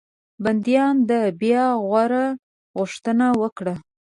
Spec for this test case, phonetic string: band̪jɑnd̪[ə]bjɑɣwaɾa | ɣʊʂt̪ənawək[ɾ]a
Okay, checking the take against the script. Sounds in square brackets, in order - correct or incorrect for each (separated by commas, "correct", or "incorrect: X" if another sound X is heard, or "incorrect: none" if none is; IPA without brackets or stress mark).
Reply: correct, incorrect: ɽ